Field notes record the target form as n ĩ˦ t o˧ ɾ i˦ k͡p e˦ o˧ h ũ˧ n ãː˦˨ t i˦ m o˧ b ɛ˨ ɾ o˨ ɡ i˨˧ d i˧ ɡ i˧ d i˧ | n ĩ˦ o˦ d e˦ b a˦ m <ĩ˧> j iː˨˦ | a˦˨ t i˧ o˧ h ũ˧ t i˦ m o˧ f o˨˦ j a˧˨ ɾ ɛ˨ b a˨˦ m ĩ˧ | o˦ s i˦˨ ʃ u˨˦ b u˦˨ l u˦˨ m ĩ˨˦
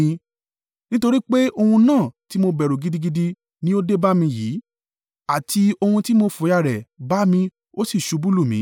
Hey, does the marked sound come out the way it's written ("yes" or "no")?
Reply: yes